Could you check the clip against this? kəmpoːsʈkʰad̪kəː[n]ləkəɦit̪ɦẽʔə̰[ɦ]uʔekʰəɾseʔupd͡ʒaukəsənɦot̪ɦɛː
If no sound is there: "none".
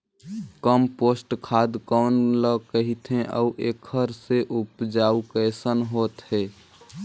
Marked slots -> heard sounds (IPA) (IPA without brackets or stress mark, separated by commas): n, none